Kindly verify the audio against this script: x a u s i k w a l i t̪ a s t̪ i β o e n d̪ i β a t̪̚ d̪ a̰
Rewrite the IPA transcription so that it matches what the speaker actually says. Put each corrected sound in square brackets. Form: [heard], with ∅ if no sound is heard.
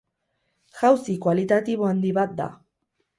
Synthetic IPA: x a [w] s i k w a l i t̪ a [∅] t̪ i β o [a] n d̪ i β a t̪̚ d̪ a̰